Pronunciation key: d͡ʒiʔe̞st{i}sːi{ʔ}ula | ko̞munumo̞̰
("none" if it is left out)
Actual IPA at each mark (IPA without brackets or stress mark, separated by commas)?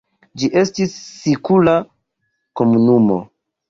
i, k